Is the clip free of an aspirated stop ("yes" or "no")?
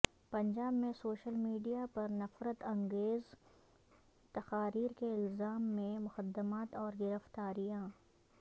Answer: yes